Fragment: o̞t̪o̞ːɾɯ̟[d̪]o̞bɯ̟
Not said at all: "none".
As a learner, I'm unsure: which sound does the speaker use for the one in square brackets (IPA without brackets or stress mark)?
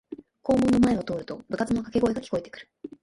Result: t̪